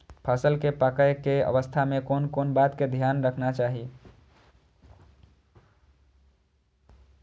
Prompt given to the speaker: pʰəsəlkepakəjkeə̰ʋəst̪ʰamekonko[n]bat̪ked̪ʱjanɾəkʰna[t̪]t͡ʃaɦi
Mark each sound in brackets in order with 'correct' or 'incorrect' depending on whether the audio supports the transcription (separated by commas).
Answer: correct, incorrect